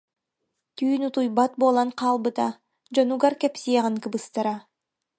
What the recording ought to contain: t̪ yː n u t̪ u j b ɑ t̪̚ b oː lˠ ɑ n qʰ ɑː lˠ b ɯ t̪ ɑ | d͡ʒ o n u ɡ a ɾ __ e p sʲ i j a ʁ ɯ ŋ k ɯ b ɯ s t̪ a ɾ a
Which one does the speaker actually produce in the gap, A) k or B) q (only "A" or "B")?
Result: A